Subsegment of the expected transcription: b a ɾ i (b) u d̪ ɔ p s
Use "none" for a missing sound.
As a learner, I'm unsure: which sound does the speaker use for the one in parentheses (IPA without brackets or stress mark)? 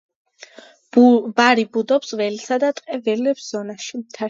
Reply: b